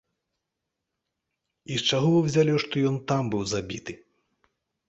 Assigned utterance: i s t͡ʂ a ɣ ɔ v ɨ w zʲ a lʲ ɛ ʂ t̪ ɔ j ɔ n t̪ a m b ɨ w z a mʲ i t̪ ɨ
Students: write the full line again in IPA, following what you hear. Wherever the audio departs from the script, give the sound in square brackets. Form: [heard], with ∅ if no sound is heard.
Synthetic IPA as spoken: i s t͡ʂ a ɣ ɔ v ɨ w zʲ a lʲ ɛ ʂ t̪ ɔ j ɔ n t̪ a m b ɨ w z a [bʲ] i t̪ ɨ